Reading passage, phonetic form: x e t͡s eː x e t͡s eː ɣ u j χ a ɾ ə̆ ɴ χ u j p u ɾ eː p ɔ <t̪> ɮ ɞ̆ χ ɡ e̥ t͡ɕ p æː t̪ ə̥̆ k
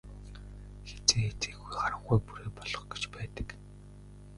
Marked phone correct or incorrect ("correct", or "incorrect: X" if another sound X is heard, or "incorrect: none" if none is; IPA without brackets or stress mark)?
incorrect: none